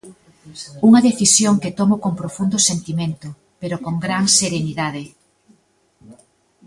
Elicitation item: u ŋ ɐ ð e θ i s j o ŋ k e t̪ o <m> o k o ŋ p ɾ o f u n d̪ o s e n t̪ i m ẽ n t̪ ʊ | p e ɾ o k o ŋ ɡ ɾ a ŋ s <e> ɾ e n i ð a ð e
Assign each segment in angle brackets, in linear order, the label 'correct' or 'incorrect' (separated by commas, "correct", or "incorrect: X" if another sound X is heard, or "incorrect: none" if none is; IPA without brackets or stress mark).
correct, correct